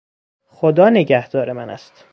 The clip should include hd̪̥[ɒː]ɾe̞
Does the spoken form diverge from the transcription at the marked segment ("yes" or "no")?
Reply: no